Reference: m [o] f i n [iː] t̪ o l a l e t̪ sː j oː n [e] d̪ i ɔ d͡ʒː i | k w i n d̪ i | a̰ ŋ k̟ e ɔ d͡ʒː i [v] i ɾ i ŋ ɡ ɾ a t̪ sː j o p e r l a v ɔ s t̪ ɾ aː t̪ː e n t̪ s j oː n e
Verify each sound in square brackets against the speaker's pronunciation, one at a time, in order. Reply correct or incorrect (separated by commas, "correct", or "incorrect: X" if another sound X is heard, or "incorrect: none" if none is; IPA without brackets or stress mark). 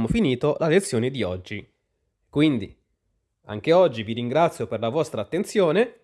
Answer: correct, correct, correct, correct